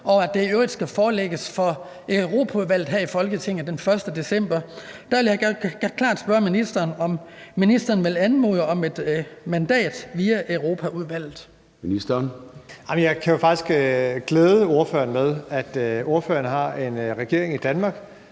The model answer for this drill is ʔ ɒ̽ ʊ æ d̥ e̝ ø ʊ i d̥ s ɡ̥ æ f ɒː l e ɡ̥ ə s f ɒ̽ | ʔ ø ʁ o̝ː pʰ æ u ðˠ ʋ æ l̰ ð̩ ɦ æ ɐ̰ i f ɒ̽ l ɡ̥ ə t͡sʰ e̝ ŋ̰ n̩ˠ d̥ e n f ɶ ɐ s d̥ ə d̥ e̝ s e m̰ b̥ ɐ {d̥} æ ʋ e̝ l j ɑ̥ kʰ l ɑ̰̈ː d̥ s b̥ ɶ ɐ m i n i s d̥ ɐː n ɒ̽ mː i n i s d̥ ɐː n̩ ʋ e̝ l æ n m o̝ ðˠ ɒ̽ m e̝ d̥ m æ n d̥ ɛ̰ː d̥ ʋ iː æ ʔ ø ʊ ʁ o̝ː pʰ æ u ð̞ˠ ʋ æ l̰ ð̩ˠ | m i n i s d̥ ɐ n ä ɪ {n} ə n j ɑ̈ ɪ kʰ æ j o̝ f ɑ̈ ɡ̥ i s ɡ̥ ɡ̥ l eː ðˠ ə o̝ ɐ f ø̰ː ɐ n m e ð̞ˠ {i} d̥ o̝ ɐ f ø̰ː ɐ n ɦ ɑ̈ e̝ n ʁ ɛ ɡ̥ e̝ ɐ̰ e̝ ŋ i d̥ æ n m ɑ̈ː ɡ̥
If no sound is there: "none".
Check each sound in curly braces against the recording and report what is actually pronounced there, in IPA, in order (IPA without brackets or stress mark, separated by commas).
d̥, m, æ